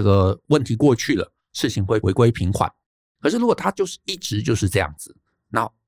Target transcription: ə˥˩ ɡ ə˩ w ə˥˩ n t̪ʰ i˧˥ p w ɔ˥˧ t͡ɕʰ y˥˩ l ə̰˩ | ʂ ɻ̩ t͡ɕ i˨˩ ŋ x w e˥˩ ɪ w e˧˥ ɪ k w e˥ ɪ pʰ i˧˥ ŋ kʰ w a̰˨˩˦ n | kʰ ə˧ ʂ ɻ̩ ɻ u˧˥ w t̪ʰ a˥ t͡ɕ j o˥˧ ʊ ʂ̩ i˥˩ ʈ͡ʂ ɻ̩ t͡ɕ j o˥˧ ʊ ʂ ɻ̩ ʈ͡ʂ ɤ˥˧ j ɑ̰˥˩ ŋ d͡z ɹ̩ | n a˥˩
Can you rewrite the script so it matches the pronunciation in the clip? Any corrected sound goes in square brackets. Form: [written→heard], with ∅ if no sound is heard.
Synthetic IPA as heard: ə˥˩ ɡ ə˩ w ə˥˩ n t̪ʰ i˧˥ [p→k] w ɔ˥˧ t͡ɕʰ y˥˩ l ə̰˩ | ʂ ɻ̩ [t͡ɕ→t͡ɕʰ] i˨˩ ŋ x w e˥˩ ɪ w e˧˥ ɪ k w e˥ ɪ pʰ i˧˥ ŋ kʰ w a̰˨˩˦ n | kʰ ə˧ ʂ ɻ̩ ɻ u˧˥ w t̪ʰ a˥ t͡ɕ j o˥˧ ʊ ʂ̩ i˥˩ ʈ͡ʂ ɻ̩ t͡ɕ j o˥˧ ʊ ʂ ɻ̩ ʈ͡ʂ ɤ˥˧ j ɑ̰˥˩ ŋ d͡z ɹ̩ | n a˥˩